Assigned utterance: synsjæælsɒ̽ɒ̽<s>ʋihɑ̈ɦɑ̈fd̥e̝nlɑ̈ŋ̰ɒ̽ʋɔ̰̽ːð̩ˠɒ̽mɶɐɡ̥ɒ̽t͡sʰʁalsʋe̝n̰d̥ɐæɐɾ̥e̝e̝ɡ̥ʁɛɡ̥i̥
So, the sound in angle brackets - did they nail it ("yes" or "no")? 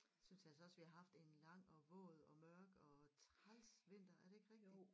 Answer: yes